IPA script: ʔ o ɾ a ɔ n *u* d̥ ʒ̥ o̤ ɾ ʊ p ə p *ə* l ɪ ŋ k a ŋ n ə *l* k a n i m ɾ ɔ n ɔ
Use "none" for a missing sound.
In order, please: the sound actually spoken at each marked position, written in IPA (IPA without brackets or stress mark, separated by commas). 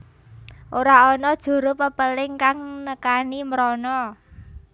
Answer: ɔ, ə, none